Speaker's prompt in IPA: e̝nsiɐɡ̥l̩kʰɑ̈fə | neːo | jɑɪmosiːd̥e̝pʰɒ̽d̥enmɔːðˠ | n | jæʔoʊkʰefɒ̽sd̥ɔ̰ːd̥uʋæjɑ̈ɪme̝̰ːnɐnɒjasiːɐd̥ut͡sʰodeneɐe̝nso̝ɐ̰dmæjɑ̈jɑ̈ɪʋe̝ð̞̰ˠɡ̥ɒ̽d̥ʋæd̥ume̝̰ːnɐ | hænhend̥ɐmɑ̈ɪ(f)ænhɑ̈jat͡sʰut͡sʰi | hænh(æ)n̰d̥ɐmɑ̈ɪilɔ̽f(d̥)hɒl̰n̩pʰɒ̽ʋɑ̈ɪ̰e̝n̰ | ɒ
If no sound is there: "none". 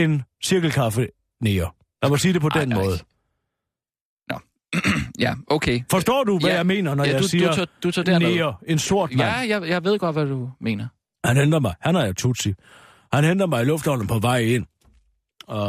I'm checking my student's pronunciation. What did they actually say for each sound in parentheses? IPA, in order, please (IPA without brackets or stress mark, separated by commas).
h, e, d̥